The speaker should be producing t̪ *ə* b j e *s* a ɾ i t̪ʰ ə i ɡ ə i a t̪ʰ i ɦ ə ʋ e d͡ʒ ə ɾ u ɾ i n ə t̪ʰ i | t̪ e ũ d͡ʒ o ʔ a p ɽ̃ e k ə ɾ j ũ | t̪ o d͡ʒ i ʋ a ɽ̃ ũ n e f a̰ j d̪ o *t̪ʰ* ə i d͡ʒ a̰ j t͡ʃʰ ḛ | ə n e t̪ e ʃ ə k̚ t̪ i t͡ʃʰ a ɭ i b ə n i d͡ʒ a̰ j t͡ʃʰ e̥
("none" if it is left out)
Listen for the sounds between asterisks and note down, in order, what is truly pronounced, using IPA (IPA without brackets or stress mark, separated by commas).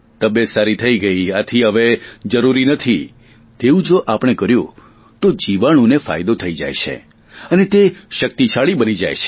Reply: ə, s, t̪ʰ